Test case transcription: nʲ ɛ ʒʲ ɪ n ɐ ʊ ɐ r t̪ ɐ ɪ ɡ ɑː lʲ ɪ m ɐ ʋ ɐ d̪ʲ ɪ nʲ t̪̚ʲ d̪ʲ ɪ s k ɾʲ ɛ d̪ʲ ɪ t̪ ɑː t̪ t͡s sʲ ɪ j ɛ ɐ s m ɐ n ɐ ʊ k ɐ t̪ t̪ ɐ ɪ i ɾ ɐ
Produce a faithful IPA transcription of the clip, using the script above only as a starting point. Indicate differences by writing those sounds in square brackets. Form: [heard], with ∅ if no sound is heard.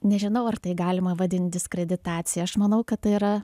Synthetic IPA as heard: nʲ ɛ ʒʲ ɪ n ɐ ʊ ɐ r t̪ ɐ ɪ ɡ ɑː lʲ ɪ m ɐ ʋ ɐ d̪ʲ ɪ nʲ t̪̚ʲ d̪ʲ ɪ s k ɾʲ ɛ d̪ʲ ɪ t̪ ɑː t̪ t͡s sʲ ɪ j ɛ ɐ [ʃ] m ɐ n ɐ ʊ k ɐ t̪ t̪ ɐ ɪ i ɾ ɐ